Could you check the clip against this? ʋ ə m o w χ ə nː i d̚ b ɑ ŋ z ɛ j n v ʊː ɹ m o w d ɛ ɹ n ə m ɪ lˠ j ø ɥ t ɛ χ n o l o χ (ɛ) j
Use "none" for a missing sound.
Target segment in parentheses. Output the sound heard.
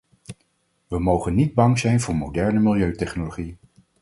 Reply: i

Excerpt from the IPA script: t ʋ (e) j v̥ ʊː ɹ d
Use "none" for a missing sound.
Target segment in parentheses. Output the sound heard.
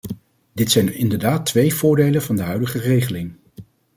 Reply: e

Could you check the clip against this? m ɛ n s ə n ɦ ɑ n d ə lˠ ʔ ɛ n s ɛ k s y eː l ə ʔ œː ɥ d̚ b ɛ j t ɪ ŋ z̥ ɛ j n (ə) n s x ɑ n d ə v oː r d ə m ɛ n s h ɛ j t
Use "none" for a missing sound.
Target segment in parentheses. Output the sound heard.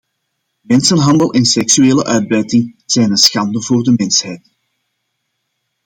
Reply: ə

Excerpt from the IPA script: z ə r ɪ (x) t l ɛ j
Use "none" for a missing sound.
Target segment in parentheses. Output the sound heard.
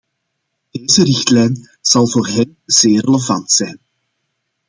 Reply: x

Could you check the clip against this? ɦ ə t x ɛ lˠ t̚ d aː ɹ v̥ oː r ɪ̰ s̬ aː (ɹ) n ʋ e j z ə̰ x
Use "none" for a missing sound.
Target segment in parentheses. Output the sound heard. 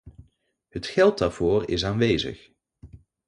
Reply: none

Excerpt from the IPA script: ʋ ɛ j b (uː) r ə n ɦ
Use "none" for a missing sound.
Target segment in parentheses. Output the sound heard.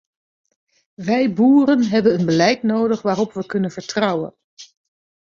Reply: uː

